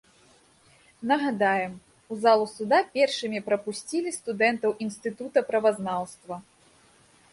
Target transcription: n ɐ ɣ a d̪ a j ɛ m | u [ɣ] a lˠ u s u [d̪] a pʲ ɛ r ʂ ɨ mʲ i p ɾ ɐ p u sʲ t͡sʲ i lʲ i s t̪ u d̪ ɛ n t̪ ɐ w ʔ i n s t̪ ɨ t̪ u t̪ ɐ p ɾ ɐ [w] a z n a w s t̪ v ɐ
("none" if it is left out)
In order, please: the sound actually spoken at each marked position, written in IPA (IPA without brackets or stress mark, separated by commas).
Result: z, d̪, v